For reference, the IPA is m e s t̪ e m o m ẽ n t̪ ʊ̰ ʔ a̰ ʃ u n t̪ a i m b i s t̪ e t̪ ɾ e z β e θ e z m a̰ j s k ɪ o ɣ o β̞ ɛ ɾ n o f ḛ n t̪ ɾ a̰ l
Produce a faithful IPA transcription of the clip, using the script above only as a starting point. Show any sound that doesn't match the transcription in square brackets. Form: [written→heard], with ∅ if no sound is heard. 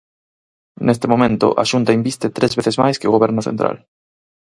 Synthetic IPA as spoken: [m→n] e s t̪ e m o m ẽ n t̪ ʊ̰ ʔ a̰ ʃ u n t̪ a i m b i s t̪ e t̪ ɾ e z β e θ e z m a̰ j s k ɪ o ɣ o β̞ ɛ ɾ n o [f→θ] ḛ n t̪ ɾ a̰ l